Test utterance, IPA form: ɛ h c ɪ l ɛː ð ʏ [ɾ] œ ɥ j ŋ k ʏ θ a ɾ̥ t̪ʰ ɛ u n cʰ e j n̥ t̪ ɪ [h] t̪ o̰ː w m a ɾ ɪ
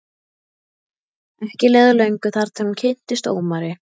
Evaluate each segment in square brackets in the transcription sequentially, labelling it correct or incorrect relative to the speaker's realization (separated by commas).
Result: incorrect, incorrect